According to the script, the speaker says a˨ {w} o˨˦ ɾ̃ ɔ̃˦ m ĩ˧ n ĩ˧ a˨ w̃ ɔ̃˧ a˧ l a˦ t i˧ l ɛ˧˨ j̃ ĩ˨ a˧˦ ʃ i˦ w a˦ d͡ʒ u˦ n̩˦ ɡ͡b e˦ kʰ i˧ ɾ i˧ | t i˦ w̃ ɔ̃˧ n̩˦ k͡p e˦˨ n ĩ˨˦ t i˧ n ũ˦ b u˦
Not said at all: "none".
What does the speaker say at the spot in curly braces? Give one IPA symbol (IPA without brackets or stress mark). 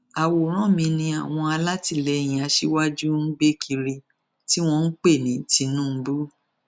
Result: w